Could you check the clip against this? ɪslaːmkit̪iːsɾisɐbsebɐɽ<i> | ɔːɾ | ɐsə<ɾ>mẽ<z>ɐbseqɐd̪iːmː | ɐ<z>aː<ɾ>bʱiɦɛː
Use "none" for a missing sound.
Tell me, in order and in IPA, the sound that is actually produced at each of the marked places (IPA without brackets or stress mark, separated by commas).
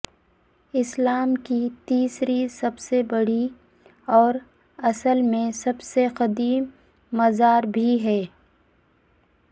i, l, s, z, ɾ